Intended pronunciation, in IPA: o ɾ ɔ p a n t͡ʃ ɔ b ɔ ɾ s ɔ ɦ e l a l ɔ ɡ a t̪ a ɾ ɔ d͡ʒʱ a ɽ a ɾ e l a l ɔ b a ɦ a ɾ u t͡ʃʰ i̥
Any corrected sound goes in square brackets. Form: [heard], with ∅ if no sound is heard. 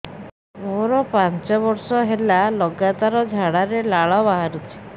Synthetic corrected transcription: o ɾ ɔ p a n t͡ʃ ɔ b ɔ ɾ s ɔ ɦ e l a l ɔ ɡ a t̪ a ɾ ɔ d͡ʒʱ a ɽ a ɾ e l a [ɭ] ɔ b a ɦ a ɾ u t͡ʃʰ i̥